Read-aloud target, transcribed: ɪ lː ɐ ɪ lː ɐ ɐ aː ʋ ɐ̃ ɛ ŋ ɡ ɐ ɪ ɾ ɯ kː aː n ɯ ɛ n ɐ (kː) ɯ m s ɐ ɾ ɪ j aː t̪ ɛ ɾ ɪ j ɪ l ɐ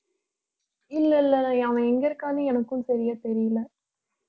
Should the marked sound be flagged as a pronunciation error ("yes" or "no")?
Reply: no